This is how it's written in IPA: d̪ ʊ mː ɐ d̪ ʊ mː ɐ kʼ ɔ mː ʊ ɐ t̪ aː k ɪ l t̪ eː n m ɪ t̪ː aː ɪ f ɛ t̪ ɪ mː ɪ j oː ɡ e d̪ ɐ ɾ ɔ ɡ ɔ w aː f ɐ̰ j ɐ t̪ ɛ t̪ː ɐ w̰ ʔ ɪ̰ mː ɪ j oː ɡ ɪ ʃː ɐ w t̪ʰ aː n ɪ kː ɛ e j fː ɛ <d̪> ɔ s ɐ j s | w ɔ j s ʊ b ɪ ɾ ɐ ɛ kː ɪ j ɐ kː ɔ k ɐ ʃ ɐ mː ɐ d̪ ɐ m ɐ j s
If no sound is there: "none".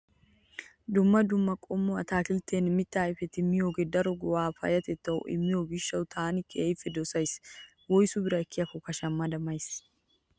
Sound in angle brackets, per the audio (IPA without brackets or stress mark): d̪